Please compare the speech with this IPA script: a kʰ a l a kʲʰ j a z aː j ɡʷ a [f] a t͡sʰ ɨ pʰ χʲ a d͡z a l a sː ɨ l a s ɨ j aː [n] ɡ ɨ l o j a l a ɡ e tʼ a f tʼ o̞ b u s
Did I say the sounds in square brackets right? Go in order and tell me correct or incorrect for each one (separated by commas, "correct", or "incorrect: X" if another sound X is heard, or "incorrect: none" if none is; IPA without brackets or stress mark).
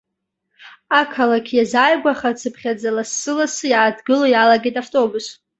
incorrect: χ, incorrect: d